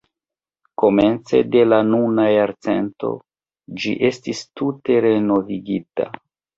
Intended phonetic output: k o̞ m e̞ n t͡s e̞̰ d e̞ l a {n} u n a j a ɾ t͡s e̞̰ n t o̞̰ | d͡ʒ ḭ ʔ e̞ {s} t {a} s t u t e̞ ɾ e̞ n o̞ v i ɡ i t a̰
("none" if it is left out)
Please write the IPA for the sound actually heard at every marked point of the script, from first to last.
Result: n, s, i

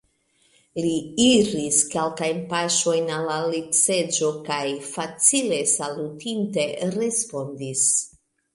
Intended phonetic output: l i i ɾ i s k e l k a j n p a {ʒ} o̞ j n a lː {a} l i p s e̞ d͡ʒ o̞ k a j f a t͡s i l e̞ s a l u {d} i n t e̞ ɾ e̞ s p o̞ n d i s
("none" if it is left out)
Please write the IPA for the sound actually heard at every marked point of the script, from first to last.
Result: ʃ, a, t

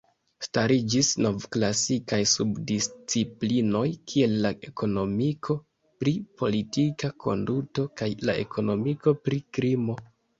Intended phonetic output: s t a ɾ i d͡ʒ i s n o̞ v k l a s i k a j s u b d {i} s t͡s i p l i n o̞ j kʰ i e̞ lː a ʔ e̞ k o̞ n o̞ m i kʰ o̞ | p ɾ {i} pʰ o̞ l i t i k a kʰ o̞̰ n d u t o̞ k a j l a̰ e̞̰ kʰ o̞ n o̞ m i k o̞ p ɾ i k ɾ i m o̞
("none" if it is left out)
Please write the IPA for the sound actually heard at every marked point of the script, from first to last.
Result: i, i

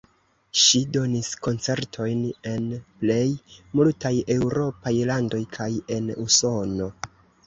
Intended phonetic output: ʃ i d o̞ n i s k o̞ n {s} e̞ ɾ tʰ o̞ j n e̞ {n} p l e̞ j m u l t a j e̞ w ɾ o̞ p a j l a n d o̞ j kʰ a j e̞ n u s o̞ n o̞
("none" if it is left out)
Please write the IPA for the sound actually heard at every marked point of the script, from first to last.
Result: t͡s, n

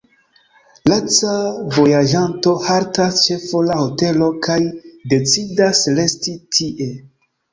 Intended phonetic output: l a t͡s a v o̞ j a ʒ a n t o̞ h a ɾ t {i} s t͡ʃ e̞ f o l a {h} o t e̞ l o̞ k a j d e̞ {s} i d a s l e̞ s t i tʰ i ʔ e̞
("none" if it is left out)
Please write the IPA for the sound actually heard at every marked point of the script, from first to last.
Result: a, h, t͡s

